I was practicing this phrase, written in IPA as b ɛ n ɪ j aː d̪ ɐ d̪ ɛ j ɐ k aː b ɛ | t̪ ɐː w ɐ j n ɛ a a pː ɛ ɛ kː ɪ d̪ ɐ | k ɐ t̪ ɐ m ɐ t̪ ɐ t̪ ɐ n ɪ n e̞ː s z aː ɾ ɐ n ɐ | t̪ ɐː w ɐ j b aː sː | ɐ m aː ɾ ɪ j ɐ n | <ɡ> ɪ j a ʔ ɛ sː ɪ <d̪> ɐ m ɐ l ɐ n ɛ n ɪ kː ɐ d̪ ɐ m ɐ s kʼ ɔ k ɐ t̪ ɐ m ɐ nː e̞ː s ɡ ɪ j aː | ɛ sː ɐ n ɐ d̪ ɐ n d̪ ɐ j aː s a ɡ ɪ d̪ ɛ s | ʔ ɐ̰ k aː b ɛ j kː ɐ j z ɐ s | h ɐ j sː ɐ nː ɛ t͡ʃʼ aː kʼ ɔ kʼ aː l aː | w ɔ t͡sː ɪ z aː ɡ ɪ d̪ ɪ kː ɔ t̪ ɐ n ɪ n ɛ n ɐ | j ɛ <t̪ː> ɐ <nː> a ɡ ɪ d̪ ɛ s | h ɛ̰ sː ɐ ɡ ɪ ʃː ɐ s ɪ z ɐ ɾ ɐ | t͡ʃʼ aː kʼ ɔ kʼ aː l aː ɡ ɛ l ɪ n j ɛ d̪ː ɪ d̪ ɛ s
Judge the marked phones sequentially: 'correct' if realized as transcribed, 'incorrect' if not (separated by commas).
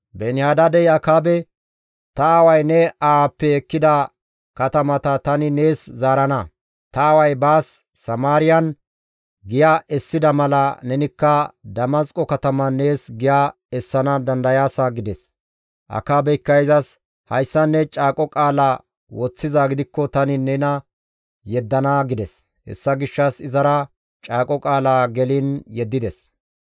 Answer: correct, correct, incorrect, incorrect